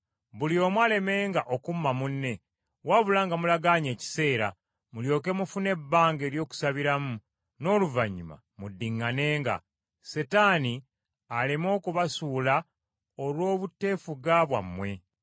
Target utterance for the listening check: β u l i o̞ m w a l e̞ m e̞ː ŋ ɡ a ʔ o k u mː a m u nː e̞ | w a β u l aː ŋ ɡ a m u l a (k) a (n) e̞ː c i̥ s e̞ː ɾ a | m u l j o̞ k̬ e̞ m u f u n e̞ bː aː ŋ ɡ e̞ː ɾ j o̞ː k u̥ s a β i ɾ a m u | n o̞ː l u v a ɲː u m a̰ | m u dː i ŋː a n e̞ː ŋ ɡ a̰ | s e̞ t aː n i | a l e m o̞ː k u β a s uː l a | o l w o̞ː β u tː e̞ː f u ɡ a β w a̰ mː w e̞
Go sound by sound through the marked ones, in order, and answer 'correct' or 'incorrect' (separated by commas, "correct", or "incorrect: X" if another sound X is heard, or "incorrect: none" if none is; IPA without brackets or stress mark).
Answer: incorrect: ɡ, incorrect: ɲ